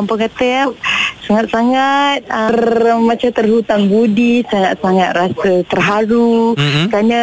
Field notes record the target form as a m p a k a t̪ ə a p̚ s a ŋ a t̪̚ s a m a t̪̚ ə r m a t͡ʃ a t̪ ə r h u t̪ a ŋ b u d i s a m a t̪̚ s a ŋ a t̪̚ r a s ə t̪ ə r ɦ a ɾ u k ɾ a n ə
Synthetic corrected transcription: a m p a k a t̪ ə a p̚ s a ŋ a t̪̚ s a ŋ a t̪̚ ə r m a t͡ʃ a t̪ ə r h u t̪ a ŋ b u d i s a ŋ a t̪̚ s a ŋ a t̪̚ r a s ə t̪ ə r ɦ a ɾ u k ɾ a n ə